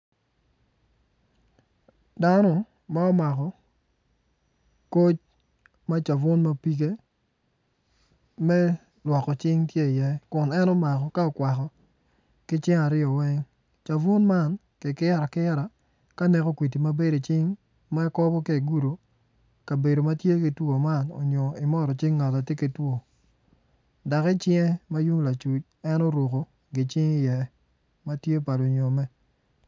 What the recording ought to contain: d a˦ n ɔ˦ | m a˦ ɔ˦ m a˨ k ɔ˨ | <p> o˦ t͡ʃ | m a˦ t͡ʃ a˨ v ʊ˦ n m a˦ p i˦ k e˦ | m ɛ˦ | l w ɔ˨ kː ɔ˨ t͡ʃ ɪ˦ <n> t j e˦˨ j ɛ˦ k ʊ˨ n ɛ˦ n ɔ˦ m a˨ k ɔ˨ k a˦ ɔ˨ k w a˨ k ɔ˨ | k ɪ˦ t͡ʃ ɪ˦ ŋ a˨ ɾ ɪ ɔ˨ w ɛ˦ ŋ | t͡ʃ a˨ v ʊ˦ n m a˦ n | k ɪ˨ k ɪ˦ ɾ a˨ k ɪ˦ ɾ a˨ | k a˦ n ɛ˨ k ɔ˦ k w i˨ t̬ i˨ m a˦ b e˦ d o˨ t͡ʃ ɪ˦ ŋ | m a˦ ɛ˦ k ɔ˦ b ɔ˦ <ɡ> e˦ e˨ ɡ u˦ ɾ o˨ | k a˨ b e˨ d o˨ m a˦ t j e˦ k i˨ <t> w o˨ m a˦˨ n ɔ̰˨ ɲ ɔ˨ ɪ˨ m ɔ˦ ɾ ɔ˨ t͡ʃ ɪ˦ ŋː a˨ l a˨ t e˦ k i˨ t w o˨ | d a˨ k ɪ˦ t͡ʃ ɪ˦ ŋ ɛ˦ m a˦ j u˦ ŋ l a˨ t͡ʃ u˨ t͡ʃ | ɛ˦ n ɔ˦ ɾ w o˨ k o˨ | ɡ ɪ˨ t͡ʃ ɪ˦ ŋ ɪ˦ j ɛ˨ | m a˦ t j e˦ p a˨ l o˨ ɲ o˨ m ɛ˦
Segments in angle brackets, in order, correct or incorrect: incorrect: k, incorrect: ŋ, incorrect: k, correct

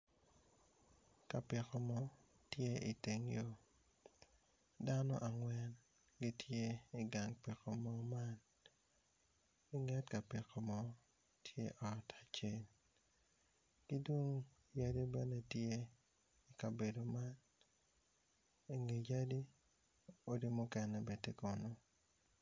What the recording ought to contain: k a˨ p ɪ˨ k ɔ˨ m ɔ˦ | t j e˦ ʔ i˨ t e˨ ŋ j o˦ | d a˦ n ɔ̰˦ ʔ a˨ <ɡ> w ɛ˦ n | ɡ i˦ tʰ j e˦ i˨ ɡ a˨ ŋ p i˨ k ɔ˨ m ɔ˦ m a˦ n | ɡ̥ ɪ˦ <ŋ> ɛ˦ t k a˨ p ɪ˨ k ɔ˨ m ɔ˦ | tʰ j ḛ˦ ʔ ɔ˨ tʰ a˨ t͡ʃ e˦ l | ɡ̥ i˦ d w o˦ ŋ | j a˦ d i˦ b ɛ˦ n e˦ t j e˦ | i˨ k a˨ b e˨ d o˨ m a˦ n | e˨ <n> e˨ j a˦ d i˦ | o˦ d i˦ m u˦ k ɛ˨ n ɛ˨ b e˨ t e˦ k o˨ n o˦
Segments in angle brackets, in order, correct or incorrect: incorrect: ŋ, correct, incorrect: ŋ

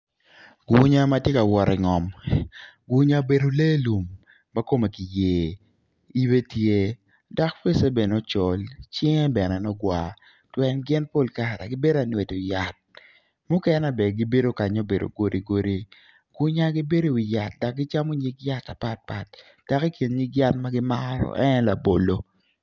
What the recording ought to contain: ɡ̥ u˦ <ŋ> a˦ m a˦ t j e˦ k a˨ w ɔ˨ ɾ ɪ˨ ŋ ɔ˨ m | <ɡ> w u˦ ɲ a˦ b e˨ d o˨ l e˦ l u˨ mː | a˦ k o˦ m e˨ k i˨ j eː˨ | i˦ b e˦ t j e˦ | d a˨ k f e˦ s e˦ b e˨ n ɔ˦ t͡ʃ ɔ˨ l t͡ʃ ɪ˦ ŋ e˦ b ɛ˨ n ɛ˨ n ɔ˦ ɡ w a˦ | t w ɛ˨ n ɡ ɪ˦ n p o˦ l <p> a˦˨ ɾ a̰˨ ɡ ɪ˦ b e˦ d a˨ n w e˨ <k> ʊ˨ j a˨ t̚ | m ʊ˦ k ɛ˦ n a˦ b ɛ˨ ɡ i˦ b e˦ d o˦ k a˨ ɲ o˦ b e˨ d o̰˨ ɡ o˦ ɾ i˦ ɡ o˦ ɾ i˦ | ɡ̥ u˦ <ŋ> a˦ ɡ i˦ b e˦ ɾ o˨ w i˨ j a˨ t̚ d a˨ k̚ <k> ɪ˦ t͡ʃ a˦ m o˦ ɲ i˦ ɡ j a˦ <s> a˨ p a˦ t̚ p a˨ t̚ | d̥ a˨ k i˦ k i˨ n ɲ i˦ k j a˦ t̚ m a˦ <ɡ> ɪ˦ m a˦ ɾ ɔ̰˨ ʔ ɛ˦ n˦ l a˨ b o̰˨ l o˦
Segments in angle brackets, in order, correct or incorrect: incorrect: ɲ, correct, incorrect: k, incorrect: t, incorrect: ɲ, incorrect: ɡ, incorrect: t, correct

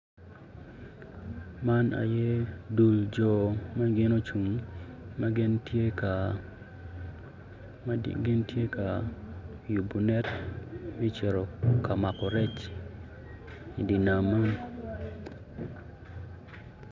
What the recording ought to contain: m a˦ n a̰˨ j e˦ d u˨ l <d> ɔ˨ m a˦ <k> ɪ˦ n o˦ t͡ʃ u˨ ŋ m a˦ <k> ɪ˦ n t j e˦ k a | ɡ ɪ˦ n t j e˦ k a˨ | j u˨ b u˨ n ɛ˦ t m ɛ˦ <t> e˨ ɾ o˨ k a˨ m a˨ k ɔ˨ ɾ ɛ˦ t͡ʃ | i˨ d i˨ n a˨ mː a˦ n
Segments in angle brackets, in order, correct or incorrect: incorrect: d͡ʒ, incorrect: ɡ, incorrect: ɡ, incorrect: t͡ʃ

